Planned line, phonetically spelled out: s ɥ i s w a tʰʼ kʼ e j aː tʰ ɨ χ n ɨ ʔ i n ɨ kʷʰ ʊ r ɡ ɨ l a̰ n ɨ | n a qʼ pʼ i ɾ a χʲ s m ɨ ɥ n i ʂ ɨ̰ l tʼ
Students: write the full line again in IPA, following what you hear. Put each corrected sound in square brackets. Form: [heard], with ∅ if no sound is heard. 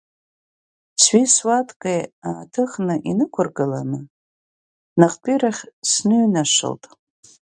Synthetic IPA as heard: s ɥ i s w a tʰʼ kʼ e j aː tʰ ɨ χ n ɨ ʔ i n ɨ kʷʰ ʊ r ɡ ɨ l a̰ n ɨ | n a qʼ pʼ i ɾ a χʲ s [n] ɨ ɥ n [a] ʂ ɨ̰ l tʼ